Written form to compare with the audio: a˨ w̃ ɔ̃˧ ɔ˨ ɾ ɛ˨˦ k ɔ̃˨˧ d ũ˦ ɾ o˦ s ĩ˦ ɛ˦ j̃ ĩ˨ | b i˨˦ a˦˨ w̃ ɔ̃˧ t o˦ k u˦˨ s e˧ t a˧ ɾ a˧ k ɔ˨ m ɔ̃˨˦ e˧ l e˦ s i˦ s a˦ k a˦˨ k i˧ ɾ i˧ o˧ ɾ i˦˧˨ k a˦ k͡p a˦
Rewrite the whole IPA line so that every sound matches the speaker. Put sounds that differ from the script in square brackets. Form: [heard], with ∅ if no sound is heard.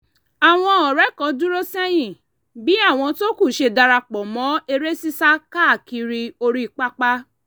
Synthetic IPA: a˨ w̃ ɔ̃˧ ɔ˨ ɾ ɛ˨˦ k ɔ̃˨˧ d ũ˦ ɾ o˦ s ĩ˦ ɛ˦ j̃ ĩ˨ | b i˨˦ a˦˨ w̃ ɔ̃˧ t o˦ k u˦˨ [ʃ] e˧ [d] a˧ ɾ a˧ [k͡p] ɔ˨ m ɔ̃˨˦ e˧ [ɾ] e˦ s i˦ s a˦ k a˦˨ k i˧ ɾ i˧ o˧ ɾ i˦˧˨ [k͡p] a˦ k͡p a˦